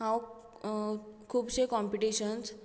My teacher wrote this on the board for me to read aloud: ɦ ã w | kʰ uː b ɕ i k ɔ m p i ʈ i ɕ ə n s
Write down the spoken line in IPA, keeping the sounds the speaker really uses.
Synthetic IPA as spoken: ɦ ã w | kʰ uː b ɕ e k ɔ m p i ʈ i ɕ ə n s